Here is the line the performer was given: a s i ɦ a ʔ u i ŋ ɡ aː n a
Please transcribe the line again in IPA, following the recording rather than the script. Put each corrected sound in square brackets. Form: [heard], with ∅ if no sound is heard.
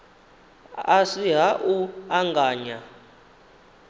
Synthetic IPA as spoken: a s i ɦ a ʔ u [a] ŋ ɡ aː [ɲ] a